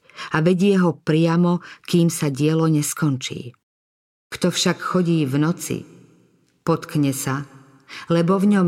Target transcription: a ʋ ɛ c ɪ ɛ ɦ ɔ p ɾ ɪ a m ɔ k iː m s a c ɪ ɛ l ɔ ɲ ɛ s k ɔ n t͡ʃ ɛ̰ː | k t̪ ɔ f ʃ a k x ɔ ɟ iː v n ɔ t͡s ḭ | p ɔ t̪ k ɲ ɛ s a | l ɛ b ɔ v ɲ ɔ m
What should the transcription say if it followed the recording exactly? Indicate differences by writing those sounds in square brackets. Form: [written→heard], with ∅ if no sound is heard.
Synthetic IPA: a ʋ ɛ [c→ɟ] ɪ ɛ ɦ ɔ p ɾ ɪ a m ɔ k iː m s a [c→ɟ] ɪ ɛ l ɔ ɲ ɛ s k ɔ n t͡ʃ [ɛ̰ː→ḭː] | k t̪ ɔ f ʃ a k x ɔ ɟ iː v n ɔ t͡s ḭ | p ɔ t̪ k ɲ ɛ s a | l ɛ b ɔ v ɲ ɔ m